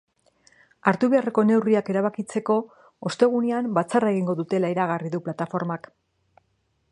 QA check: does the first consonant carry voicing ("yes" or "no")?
yes